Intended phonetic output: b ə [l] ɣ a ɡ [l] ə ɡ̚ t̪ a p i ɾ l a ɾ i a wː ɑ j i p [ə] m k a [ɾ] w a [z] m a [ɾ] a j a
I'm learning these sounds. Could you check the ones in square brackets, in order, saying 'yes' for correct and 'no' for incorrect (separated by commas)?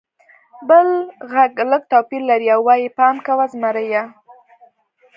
yes, yes, no, no, yes, yes